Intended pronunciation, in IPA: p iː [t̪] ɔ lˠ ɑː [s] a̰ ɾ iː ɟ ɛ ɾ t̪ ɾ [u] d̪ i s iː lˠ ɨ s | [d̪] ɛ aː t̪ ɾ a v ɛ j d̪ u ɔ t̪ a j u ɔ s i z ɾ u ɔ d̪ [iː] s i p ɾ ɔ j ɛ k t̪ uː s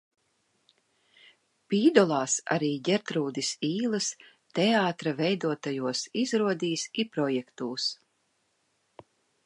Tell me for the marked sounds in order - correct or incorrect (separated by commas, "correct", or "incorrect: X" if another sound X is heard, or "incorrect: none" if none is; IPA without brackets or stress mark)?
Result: incorrect: d̪, correct, incorrect: uː, incorrect: t̪, correct